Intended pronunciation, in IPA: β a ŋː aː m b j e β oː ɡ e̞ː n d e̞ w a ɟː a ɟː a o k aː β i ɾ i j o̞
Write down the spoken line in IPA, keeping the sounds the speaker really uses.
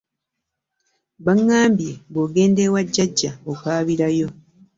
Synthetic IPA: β a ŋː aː m b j e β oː ɡ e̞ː n d e̞ w a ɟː a ɟː a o k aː β i ɾ a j o̞